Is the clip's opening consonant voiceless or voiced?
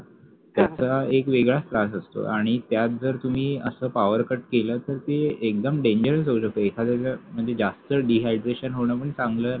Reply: voiceless